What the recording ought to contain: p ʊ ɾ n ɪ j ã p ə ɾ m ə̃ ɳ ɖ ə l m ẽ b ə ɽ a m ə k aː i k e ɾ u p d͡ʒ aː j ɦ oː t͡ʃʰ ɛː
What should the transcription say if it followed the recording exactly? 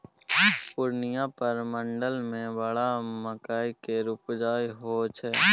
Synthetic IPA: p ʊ ɾ n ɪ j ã p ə ɾ m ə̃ ɳ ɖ ə l m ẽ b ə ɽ a m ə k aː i k e ɾ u p d͡ʒ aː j ɦ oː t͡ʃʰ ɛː